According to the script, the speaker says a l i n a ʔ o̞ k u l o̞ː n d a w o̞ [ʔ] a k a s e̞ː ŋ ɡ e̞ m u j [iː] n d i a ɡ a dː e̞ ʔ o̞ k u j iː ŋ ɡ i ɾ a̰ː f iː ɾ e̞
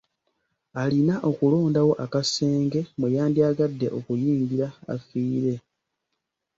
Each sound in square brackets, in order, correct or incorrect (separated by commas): correct, incorrect